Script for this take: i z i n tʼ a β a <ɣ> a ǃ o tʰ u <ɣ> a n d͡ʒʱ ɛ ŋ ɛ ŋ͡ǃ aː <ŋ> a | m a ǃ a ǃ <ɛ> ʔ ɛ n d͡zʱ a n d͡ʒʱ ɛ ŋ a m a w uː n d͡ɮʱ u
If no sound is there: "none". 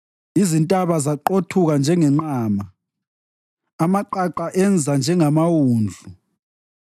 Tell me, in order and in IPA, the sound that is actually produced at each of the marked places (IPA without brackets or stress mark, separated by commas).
z, ɣ, m, a